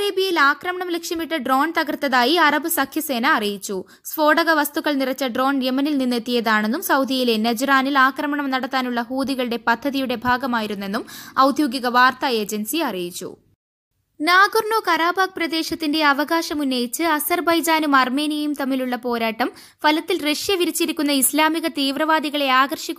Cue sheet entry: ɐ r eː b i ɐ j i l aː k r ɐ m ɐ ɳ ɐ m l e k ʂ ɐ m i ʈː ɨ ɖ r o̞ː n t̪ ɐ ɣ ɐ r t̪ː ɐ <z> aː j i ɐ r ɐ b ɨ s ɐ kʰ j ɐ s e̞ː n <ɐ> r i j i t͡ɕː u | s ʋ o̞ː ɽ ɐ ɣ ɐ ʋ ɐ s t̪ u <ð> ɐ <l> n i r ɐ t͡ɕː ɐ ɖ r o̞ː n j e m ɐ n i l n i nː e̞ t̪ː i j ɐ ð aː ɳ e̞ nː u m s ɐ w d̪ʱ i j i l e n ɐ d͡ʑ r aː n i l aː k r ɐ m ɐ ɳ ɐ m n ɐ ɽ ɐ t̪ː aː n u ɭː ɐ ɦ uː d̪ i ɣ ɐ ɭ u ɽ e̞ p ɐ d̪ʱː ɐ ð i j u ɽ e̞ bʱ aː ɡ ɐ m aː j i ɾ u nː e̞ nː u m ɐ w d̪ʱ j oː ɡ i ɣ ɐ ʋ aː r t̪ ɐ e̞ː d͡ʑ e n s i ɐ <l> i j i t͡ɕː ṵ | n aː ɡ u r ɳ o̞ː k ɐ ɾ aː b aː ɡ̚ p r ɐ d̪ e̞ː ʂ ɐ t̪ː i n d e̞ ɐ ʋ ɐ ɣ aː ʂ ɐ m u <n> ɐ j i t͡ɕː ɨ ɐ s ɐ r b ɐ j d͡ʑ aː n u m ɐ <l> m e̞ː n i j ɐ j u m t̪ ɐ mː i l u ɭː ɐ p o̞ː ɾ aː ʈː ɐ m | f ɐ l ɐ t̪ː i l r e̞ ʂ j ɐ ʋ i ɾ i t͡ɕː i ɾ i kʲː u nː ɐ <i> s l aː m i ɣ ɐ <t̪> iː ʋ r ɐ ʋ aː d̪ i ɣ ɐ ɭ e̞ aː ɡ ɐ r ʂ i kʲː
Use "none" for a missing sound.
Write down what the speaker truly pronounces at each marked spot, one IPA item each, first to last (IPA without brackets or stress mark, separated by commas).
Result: ð, ɐː, ɣ, ɭ, r, nː, r, i, t̪